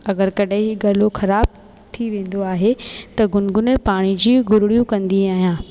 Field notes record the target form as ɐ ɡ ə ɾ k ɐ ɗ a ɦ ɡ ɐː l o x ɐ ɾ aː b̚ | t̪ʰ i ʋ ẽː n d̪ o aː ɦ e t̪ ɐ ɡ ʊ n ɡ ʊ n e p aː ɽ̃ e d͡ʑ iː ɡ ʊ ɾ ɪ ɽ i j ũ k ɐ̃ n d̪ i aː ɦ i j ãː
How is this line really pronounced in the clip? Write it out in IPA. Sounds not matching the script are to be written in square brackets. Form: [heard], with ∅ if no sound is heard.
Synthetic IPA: ɐ ɡ ə ɾ k ɐ ɗ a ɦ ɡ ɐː l o x ɐ ɾ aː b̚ | t̪ʰ i ʋ ẽː n d̪ o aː ɦ e t̪ ɐ ɡ ʊ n ɡ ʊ n e p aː ɽ̃ [i] d͡ʑ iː ɡ ʊ ɾ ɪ ɽ i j ũ k ɐ̃ n d̪ i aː ɦ i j ãː